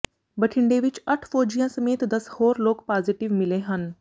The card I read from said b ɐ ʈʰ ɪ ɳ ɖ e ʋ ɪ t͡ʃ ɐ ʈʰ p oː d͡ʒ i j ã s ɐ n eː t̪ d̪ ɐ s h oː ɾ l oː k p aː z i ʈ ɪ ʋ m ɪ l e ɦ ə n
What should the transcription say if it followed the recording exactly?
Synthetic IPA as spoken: b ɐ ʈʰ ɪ ɳ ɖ e ʋ ɪ t͡ʃ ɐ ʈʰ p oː d͡ʒ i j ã s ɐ m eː t̪ d̪ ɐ s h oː ɾ l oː k p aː z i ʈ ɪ ʋ m ɪ l e ɦ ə n